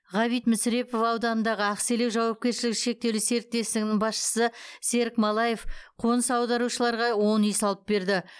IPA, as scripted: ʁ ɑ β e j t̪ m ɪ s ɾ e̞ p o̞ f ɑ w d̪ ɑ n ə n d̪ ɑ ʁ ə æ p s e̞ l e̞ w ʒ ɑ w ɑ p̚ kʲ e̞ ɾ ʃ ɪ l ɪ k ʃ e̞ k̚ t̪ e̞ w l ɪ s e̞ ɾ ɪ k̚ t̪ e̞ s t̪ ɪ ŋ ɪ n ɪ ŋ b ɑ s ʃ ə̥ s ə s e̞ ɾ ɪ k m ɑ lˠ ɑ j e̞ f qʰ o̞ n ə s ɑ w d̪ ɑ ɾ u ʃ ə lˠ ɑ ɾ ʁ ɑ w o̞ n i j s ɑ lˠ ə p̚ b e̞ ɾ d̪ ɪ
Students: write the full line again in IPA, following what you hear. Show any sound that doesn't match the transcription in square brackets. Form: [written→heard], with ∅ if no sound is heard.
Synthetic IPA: ʁ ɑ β [e→i] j t̪ m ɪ s ɾ e̞ p o̞ f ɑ w d̪ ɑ n ə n d̪ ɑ ʁ ə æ [p→q] s e̞ l e̞ w ʒ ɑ w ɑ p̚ kʲ e̞ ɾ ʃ ɪ l ɪ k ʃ e̞ k̚ t̪ e̞ w l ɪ s e̞ ɾ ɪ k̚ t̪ e̞ s t̪ ɪ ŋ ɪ n ɪ ŋ b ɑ s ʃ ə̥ s ə s e̞ ɾ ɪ k m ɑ lˠ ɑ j e̞ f qʰ o̞ n ə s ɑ w d̪ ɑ ɾ u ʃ ə lˠ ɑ ɾ ʁ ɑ w o̞ n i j s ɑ lˠ ə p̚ b e̞ ɾ d̪ ɪ

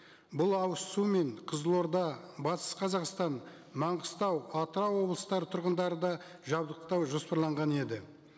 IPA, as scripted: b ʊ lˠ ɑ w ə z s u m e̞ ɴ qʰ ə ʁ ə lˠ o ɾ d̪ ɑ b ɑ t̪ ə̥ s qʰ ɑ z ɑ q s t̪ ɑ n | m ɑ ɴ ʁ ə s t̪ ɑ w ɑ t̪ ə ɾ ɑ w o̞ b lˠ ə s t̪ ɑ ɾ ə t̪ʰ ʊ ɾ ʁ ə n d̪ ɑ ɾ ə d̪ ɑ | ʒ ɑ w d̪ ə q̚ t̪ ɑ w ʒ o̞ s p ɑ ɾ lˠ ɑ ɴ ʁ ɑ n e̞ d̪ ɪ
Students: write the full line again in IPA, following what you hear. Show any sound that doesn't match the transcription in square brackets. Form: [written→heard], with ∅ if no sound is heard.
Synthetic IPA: b ʊ lˠ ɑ w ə [z→s] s u m e̞ ɴ qʰ ə [ʁ→z] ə lˠ o ɾ d̪ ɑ b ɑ t̪ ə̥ s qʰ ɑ z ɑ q s t̪ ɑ n | m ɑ ɴ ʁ ə s t̪ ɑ w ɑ t̪ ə ɾ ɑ w o̞ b lˠ ə s t̪ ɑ ɾ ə t̪ʰ ʊ ɾ ʁ ə n d̪ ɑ ɾ ə d̪ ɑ | ʒ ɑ [w→b] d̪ ə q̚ t̪ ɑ w ʒ o̞ s p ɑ ɾ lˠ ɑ ɴ ʁ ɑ n e̞ d̪ ɪ

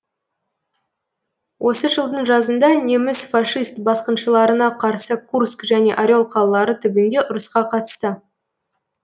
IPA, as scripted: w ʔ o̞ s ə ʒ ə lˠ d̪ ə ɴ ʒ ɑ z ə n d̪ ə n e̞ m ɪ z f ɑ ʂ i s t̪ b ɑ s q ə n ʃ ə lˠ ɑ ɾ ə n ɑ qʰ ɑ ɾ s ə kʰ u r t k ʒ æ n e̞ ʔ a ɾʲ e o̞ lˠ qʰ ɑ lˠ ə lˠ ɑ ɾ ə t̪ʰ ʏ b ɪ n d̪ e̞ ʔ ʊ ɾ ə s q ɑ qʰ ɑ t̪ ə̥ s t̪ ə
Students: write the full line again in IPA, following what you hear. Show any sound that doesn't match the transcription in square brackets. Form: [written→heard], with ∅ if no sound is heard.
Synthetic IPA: w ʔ o̞ s ə ʒ ə lˠ d̪ ə ɴ ʒ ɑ z ə n d̪ [ə→ɑ] n e̞ m ɪ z f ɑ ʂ i s t̪ b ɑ s q ə n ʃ ə lˠ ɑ ɾ ə n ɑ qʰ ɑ ɾ s ə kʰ u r [t→s] k ʒ æ n e̞ ʔ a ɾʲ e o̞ lˠ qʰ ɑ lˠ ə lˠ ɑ ɾ ə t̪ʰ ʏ b ɪ n d̪ e̞ ʔ ʊ ɾ ə s q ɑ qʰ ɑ t̪ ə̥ s t̪ ə

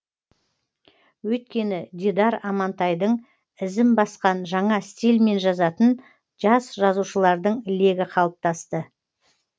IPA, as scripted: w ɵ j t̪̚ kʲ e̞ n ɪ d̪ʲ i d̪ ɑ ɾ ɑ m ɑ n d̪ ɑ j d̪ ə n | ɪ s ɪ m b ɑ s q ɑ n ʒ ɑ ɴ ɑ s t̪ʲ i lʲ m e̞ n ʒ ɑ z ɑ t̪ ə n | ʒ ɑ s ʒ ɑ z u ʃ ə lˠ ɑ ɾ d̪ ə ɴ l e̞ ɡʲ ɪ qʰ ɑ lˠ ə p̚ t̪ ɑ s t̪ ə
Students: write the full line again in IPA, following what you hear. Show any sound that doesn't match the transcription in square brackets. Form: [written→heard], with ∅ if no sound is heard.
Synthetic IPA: w ɵ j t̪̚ kʲ e̞ n ɪ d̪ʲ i d̪ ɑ ɾ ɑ m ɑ n [d̪→t̪] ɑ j d̪ ə [n→ɴ] | ɪ [s→z] ɪ m b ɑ s q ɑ n ʒ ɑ ɴ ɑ s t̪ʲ i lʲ m e̞ n ʒ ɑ z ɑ t̪ ə n | ʒ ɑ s ʒ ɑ z u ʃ ə lˠ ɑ ɾ d̪ ə ɴ l e̞ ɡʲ ɪ qʰ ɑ lˠ ə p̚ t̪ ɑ s t̪ ə

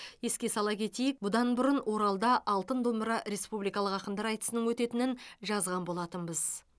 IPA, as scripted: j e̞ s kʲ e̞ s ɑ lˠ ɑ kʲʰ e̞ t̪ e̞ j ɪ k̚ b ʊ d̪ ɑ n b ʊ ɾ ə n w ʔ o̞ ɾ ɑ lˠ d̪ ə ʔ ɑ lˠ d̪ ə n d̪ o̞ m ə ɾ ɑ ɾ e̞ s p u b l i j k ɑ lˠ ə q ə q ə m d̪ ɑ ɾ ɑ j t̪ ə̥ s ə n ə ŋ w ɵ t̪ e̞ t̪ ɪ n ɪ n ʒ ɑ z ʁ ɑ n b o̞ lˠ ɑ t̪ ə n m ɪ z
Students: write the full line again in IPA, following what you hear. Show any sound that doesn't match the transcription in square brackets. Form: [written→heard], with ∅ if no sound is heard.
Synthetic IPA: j e̞ s kʲ e̞ s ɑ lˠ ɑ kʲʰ e̞ t̪ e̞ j ɪ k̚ b ʊ d̪ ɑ n b ʊ ɾ ə n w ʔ o̞ ɾ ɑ lˠ d̪ [ə→ɑ] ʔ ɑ lˠ [d̪→t̪] ə n d̪ o̞ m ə ɾ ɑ ɾ e̞ s p u b l i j k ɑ lˠ ə q [ə→ɑ] q ə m d̪ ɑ ɾ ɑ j t̪ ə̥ s ə n ə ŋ w ɵ t̪ e̞ t̪ ɪ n ɪ n ʒ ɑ z ʁ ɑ n b o̞ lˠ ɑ t̪ ə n [m→b] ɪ z

